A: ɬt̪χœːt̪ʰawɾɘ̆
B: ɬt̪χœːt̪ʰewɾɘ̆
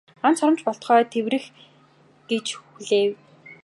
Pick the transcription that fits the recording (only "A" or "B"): B